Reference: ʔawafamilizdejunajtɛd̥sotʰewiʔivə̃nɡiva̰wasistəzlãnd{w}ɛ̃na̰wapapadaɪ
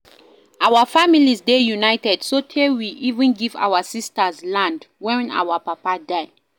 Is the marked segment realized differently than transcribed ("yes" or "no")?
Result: no